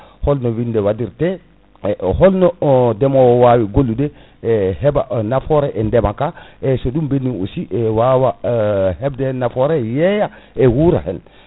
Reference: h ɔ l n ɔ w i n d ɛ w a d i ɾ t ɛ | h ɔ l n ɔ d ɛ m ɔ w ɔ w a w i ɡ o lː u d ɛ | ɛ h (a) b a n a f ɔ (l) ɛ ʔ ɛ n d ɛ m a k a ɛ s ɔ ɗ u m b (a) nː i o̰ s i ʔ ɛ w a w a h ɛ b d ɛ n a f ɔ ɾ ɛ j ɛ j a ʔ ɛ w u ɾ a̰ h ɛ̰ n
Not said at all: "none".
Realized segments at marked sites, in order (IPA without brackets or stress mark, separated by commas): ɛ, ɾ, e